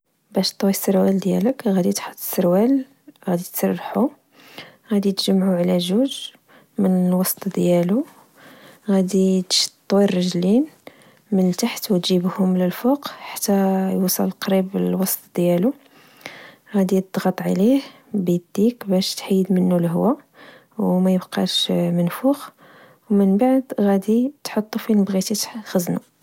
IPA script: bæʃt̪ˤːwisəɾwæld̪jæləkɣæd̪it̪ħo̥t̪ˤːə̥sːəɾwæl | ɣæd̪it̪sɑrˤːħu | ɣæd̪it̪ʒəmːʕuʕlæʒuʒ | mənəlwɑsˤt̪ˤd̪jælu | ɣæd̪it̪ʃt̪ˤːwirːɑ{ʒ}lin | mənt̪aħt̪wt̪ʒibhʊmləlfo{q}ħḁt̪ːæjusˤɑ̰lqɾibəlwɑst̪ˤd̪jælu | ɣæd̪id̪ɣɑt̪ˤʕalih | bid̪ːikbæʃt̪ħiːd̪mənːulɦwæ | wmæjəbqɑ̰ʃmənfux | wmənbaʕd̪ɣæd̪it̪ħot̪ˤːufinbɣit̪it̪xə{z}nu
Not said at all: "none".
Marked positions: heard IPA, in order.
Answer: ʒ, q, z

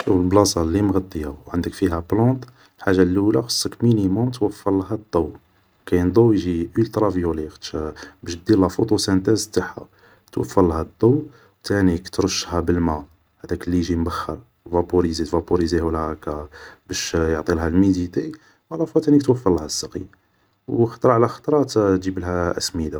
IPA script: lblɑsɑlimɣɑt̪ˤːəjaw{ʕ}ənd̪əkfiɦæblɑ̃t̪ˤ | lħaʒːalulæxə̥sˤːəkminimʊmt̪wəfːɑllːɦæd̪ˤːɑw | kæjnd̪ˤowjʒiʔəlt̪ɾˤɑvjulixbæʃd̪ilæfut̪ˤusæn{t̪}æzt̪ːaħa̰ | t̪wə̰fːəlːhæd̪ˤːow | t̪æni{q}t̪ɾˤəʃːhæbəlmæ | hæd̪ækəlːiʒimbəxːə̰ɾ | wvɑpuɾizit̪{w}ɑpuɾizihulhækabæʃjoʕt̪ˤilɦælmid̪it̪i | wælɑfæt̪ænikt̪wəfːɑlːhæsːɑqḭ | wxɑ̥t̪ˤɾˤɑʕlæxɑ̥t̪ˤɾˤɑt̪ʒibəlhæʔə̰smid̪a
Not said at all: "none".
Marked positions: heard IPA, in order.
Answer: ʕ, t̪, k, v

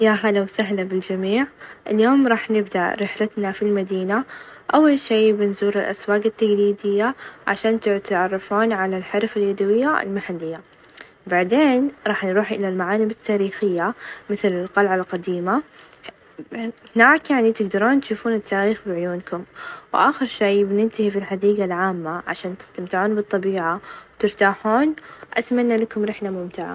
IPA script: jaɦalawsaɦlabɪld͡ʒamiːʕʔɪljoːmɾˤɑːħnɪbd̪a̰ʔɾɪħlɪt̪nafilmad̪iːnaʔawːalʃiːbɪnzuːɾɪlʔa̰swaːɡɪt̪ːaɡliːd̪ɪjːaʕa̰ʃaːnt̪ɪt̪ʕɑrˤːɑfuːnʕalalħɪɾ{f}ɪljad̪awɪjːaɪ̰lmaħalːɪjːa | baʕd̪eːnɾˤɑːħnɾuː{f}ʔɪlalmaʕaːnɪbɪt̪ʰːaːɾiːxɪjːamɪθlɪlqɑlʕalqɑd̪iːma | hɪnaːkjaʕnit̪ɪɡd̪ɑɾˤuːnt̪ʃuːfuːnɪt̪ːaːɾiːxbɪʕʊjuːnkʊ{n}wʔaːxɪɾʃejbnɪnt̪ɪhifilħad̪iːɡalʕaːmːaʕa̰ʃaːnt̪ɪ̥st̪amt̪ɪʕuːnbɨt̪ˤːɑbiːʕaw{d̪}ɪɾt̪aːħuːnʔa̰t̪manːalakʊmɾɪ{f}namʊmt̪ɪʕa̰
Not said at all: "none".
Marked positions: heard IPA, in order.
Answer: f, ħ, m, t̪, ħ

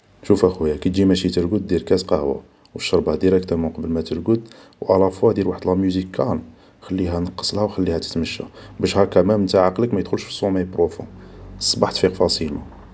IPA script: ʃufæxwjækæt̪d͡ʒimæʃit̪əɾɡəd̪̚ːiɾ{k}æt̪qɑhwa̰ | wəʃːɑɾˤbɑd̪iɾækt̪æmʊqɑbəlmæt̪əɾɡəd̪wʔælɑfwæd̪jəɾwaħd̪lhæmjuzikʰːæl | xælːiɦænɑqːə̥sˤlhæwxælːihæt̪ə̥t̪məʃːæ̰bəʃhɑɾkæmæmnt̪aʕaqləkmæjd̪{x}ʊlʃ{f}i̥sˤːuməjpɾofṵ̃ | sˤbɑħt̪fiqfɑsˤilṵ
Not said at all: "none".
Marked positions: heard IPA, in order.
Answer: k, x, f

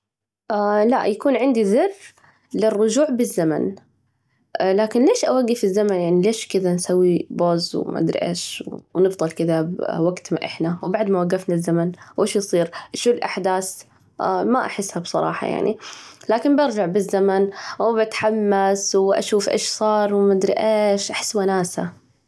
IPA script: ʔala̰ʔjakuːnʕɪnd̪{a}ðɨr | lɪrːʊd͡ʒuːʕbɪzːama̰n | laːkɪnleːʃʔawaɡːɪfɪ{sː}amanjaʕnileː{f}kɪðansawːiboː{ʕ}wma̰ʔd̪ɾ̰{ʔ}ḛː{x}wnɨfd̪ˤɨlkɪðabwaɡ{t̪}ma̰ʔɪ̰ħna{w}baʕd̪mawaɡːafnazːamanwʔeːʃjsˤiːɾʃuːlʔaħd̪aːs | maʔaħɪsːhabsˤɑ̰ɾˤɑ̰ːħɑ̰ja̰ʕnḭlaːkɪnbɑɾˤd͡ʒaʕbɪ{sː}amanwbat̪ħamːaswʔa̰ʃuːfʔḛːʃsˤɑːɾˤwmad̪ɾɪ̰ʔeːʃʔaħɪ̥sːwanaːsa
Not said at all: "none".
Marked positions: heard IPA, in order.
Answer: i, zː, ʃ, z, ʔ, ʃ, t̪, w, zː

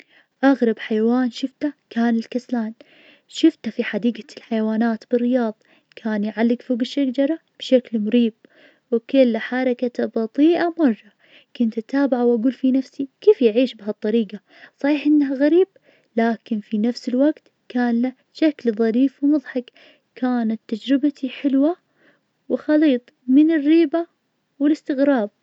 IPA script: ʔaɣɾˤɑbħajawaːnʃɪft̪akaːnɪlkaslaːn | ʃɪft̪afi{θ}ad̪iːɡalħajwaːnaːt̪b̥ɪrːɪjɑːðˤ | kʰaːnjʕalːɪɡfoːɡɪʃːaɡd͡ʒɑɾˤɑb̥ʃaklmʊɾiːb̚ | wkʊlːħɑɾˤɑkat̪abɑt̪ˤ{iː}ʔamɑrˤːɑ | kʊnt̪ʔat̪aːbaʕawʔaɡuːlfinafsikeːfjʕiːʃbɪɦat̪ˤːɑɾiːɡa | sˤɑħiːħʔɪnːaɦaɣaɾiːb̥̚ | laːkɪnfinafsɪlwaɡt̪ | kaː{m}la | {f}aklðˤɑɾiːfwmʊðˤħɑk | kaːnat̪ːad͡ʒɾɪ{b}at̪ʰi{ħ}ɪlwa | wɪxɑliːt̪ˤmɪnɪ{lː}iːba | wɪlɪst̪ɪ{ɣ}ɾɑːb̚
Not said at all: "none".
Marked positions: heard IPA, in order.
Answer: ħ, iː, n, ʃ, b, ħ, rː, ɣ

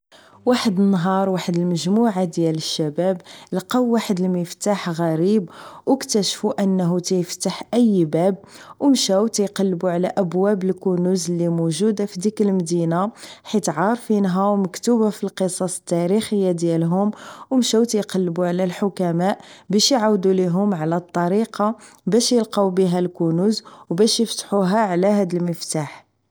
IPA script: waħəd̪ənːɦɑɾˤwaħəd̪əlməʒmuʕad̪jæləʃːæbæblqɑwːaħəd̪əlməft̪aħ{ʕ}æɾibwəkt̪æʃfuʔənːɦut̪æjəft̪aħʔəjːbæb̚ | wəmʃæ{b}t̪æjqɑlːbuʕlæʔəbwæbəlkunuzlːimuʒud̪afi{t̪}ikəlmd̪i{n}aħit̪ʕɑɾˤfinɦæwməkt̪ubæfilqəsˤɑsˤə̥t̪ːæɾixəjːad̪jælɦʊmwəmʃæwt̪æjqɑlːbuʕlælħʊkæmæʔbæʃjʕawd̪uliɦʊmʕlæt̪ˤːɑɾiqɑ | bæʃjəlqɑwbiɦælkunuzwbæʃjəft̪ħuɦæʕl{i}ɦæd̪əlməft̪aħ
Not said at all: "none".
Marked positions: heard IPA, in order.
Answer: ɣ, w, d̪, n, æ

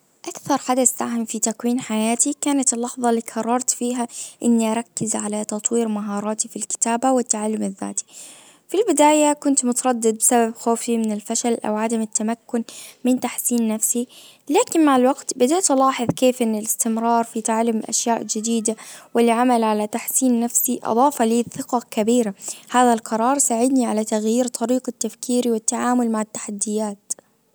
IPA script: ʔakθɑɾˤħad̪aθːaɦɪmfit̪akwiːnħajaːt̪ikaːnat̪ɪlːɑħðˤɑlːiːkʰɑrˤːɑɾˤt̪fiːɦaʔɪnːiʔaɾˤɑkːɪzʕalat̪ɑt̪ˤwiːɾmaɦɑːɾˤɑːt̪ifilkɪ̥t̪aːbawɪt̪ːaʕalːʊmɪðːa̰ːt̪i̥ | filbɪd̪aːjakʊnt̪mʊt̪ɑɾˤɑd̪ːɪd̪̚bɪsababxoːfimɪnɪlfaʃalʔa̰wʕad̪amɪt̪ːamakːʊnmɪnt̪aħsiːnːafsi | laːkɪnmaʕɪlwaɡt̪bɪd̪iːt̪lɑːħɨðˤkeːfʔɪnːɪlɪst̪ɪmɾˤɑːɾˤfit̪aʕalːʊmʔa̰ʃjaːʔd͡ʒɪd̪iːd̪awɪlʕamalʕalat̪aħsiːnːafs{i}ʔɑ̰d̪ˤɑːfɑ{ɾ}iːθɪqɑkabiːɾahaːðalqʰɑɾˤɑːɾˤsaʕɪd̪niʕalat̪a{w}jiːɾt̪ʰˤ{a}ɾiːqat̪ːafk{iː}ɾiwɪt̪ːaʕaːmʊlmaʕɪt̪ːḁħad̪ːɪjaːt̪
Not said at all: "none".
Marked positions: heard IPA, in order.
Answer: i, l, ɣ, ɑ, iː

